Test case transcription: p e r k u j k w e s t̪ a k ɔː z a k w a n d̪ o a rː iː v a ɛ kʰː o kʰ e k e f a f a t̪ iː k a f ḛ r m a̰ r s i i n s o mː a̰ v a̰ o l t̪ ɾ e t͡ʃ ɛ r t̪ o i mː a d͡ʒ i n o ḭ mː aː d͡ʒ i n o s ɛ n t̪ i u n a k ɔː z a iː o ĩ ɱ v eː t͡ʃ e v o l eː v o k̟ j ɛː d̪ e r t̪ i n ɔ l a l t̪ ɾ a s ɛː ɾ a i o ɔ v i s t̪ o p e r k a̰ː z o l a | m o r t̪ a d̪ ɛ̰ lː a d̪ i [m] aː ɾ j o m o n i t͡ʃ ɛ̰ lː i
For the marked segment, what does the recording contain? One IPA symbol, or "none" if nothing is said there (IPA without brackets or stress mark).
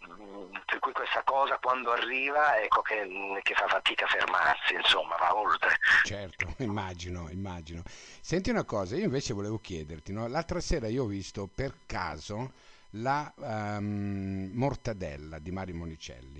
m